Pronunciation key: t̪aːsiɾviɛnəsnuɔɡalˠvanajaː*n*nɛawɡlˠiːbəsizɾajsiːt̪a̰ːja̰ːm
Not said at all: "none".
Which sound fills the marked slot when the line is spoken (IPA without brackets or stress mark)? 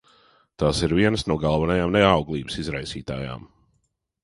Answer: m